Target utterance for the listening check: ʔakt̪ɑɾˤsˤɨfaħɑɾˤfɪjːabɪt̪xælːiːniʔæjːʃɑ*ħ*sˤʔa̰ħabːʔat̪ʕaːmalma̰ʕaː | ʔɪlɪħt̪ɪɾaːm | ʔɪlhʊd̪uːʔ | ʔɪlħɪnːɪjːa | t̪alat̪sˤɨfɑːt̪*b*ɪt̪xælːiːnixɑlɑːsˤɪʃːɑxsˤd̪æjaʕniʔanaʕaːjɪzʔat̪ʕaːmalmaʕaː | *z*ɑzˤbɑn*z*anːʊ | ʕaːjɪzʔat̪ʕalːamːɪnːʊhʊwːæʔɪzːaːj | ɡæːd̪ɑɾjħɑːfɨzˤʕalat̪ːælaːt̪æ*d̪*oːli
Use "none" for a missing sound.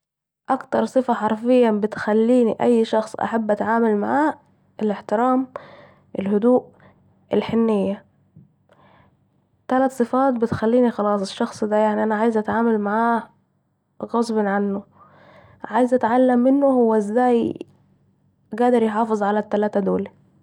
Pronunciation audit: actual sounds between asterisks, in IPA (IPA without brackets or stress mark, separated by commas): x, b, ɣ, ʕ, d̪